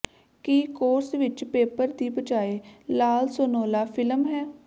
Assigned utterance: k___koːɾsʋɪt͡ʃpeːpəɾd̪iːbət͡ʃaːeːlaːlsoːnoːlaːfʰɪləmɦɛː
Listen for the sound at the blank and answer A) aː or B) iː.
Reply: B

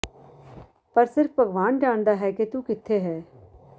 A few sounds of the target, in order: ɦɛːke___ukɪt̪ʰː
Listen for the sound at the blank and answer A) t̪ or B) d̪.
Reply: A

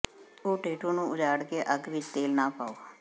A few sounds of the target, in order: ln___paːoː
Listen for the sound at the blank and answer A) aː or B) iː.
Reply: A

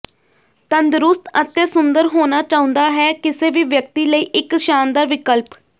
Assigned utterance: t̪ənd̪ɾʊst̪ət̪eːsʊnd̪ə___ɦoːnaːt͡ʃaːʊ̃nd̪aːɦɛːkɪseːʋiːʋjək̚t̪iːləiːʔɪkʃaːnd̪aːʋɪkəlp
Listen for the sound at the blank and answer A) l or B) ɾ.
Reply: B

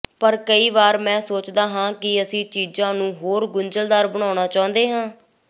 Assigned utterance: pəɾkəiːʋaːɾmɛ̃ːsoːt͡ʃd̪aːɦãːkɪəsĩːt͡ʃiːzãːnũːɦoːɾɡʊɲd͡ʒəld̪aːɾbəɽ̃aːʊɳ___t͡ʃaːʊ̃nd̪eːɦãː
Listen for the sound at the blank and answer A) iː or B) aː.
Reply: B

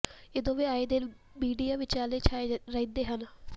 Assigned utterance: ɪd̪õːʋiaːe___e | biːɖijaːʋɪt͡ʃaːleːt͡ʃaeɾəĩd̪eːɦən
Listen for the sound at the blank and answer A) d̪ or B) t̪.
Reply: A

